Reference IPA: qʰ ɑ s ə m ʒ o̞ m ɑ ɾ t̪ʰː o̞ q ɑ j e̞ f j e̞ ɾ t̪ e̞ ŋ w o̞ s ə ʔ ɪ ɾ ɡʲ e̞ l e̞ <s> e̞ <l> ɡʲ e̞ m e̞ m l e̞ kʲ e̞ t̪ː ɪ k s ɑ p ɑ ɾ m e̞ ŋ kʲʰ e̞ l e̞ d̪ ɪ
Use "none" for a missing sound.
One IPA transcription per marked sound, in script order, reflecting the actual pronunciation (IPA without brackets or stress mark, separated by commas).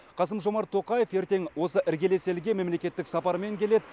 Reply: s, l